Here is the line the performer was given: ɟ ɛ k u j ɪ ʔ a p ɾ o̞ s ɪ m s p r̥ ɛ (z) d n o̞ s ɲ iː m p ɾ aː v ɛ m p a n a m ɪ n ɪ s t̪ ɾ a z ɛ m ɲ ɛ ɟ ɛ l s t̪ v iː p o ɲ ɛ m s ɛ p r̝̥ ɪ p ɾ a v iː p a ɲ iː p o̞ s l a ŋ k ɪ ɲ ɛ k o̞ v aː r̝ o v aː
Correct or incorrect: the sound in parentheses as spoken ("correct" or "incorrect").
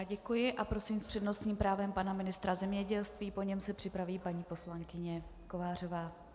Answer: incorrect